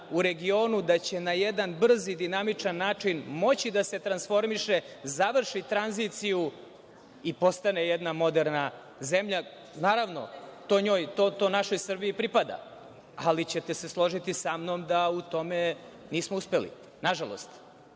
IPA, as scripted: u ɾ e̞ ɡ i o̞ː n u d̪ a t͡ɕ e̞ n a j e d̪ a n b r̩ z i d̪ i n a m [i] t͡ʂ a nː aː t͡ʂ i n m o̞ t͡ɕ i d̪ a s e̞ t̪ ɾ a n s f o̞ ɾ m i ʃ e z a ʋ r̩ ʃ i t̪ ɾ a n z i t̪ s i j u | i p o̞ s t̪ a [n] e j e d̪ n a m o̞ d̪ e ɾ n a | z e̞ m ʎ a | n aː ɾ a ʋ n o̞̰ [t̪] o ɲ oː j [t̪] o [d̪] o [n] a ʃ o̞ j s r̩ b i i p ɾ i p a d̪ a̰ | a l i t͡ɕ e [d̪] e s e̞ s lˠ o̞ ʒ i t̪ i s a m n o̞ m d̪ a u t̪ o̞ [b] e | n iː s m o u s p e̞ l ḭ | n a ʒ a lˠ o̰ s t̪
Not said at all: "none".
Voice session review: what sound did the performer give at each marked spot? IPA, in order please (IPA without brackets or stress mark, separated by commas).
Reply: i, n, t̪, t̪, t̪, n, t̪, m